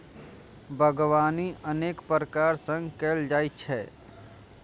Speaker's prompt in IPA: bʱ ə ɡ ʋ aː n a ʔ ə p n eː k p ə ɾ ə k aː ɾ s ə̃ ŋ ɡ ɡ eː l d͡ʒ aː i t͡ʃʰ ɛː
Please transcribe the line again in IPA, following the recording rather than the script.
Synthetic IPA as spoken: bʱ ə ɡ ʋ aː n i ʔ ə n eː k p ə ɾ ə k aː ɾ s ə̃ ŋ ɡ k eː l d͡ʒ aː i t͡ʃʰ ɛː